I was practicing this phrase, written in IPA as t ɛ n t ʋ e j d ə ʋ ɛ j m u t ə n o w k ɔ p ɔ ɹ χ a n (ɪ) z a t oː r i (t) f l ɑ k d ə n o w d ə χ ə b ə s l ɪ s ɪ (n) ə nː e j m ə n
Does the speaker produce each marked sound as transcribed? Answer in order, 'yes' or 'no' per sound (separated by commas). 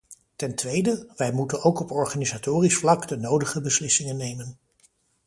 no, no, no